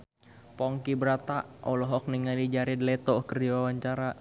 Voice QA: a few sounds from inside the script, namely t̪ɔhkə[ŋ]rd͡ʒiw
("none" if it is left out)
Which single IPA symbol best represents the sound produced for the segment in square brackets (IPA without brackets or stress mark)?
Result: none